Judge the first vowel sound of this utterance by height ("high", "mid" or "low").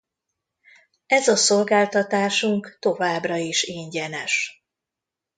mid